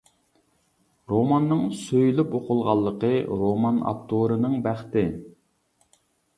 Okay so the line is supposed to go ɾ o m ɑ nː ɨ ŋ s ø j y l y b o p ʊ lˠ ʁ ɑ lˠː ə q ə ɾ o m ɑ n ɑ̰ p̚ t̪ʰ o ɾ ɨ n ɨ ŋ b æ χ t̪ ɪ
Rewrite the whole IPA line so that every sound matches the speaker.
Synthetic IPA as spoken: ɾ o m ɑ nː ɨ ŋ s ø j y l y p o q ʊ lˠ ʁ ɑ lˠː ə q ə ɾ o m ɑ n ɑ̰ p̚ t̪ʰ o ɾ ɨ n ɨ ŋ b æ χ t̪ ɪ